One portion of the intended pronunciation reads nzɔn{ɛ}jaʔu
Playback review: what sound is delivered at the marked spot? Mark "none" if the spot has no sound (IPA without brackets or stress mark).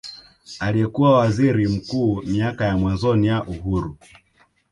i